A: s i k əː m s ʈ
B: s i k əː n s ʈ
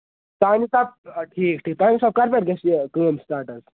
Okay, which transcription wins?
A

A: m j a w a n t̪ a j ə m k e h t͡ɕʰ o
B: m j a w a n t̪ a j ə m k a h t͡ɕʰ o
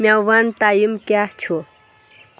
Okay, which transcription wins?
B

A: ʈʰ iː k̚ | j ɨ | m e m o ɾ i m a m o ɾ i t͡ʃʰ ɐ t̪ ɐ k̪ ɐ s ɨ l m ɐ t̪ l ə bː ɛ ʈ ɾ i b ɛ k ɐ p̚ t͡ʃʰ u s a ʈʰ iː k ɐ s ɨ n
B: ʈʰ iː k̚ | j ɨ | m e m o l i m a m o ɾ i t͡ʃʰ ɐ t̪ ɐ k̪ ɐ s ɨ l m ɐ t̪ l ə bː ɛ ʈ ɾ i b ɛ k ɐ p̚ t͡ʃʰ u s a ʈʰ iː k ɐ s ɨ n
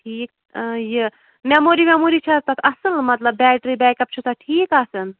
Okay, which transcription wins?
A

